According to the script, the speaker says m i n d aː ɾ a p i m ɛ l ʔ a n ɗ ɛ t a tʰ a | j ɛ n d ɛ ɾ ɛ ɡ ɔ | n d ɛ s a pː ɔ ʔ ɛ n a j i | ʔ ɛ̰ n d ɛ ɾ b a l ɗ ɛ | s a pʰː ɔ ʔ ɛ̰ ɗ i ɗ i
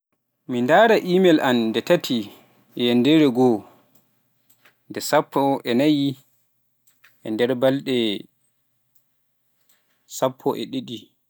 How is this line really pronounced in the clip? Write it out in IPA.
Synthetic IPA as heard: m i n d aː ɾ a ʔ i m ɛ l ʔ a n d ɛ t a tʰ i | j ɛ n d ɛ ɾ ɛ ɡ ɔ | n d ɛ s a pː ɔ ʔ ɛ n a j i | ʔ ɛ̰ n d ɛ ɾ b a l ɗ ɛ | s a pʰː ɔ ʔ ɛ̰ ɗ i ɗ i